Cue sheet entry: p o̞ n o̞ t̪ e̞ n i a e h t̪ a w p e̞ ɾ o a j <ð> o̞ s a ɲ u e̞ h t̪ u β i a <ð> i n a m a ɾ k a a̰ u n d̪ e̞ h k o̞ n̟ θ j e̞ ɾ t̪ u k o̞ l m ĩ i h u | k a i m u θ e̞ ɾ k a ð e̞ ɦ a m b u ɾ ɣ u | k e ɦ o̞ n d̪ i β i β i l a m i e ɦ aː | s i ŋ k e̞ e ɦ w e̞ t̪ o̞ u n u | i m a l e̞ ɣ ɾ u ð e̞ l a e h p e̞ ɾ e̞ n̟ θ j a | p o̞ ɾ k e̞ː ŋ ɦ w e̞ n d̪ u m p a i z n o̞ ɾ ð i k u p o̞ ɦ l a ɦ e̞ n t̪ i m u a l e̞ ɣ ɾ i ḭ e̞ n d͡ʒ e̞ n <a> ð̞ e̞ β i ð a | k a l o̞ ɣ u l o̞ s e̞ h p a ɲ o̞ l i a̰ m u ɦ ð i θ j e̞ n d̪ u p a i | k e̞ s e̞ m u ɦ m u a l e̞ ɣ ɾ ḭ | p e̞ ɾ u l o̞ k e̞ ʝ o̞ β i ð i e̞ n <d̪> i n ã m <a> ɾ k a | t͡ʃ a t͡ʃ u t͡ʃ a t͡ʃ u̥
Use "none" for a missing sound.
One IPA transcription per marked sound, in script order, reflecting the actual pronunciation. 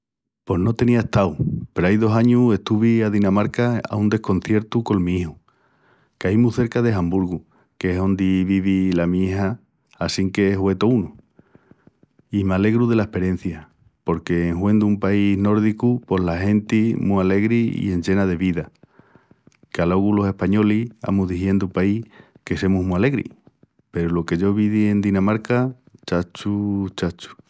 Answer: ð, ð, a, d̪, a

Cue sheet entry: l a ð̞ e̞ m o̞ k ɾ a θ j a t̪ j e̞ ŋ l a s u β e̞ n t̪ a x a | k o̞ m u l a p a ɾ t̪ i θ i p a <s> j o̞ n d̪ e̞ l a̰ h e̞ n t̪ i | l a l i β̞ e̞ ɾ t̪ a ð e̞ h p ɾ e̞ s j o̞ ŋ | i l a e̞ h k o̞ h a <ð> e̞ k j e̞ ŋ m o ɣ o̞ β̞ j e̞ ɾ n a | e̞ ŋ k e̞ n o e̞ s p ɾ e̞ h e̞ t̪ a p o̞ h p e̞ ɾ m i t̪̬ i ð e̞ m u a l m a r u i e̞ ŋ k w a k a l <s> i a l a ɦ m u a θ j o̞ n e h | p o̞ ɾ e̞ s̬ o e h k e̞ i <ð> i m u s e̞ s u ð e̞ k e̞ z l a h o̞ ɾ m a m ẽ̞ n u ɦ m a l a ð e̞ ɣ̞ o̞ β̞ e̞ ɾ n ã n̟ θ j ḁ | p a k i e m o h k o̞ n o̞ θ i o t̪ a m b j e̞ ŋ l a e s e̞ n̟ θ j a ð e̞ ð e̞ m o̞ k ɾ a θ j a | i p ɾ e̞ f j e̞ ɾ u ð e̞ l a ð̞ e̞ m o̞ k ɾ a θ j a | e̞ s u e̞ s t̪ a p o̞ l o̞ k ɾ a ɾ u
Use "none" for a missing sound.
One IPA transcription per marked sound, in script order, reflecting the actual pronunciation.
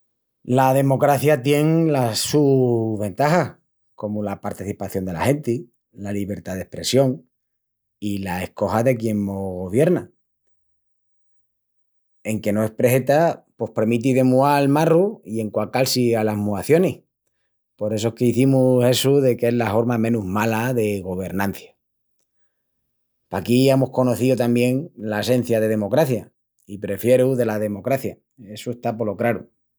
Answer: θ, ð, s, θ

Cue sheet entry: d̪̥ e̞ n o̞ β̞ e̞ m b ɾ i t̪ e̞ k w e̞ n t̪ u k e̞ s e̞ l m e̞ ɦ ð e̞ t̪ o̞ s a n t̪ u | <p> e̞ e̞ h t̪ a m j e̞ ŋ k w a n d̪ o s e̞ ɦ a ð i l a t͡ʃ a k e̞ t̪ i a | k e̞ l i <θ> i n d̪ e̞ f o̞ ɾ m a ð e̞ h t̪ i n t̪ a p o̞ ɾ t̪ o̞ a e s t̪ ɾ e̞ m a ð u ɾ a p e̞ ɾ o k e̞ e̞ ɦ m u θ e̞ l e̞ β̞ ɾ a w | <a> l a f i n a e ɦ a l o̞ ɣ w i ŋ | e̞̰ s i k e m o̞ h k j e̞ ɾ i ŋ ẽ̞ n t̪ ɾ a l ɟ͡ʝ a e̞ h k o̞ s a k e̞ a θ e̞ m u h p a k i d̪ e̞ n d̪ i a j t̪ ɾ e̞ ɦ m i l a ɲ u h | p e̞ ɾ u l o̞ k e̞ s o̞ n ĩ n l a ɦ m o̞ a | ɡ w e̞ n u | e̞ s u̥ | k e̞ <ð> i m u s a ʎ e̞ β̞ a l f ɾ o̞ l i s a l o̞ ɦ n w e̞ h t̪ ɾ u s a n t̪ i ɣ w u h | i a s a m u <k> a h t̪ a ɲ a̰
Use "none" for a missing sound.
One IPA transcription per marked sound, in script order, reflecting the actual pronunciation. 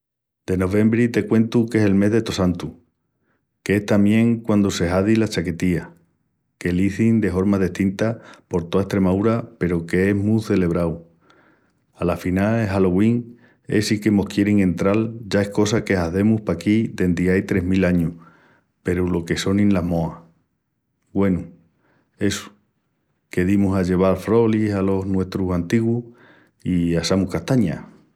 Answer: k, θ, a, ð, k

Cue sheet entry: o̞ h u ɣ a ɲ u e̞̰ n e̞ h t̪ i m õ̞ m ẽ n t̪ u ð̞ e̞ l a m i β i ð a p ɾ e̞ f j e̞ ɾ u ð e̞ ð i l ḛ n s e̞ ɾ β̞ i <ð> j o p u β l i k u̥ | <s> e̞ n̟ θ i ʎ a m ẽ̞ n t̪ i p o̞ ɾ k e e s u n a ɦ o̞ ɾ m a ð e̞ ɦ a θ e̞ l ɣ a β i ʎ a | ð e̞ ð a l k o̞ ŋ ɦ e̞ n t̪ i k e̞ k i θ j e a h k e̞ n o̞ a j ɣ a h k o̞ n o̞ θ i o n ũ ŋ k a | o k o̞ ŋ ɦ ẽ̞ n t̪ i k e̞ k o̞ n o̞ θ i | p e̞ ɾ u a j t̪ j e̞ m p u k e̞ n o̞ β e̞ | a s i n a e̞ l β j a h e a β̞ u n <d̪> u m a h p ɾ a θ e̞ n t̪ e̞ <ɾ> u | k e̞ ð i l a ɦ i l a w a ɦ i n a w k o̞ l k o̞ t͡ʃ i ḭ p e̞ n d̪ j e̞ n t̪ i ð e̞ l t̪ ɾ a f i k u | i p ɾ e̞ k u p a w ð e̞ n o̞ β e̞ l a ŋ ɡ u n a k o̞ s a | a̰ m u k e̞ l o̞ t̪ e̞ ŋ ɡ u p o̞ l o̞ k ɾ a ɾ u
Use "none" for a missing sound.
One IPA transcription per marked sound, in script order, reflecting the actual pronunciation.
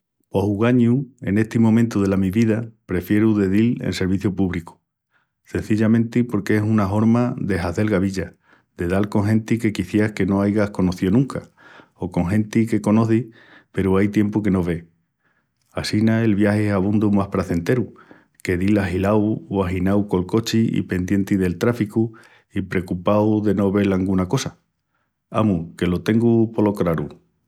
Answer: θ, s, d̪, ɾ

